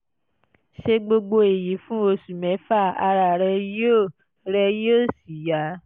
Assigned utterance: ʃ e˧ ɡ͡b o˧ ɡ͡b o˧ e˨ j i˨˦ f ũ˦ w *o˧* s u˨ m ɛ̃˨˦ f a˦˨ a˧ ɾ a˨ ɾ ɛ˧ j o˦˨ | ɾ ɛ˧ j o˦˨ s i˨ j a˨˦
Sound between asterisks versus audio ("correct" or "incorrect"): correct